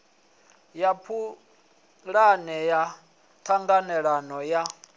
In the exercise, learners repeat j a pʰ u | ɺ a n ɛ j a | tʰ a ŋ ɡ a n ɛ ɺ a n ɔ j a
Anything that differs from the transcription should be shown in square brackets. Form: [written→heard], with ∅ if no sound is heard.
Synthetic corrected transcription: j a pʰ u | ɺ a n ɛ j a | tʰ a ŋ ɡ a n ɛ ɺ a n ɔ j a